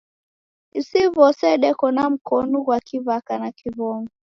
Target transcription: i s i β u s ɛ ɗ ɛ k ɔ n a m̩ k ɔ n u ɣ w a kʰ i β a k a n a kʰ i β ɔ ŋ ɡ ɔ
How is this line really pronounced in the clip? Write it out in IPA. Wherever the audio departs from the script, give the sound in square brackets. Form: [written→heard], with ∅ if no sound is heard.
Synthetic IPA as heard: i s i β [u→ɔ] s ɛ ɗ ɛ k ɔ n a m̩ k ɔ n u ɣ w a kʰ i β a k a n a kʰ i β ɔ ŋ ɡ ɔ